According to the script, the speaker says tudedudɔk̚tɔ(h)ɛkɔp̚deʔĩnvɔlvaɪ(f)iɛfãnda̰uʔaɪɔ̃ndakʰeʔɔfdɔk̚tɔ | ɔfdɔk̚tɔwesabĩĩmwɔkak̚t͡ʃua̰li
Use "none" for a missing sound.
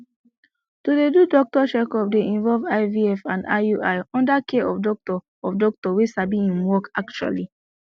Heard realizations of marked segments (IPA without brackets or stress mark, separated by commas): ʃ, v